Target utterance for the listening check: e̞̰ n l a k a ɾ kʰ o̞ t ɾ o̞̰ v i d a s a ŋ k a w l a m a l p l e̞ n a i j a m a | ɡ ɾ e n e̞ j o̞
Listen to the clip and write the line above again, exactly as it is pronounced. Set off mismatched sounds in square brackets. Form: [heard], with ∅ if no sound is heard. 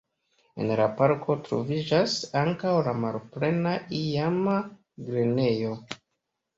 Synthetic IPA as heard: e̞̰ n l a [p] a ɾ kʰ o̞ t ɾ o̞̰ v i [d͡ʒ] a s a ŋ k a w l a m a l p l e̞ n a i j a m a | ɡ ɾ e n e̞ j o̞